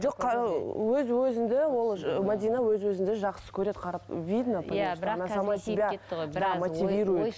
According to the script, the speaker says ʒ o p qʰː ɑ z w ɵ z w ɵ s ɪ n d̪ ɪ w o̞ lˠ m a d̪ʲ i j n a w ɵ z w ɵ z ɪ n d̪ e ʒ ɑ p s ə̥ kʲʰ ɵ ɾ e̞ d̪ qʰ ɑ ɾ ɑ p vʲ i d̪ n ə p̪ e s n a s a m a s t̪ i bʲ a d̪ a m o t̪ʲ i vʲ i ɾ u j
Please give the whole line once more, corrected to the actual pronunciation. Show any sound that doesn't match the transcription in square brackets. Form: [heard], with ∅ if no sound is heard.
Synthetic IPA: ʒ o [q] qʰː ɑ [∅] w ɵ z w ɵ [z] ɪ n d̪ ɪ w o̞ lˠ m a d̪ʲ i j n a w ɵ z w ɵ z ɪ n d̪ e ʒ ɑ [q] s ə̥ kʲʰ ɵ ɾ e̞ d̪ qʰ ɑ ɾ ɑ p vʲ i d̪ n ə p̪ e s n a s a m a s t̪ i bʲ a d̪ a m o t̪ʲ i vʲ i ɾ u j